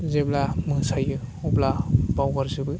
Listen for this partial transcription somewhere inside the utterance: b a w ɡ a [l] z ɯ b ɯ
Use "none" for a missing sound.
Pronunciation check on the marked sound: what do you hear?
ɾ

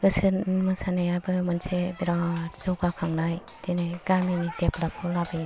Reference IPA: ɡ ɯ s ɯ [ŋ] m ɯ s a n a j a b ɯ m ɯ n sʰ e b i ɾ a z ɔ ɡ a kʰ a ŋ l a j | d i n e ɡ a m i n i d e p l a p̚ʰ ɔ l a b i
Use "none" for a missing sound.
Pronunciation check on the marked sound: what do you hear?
n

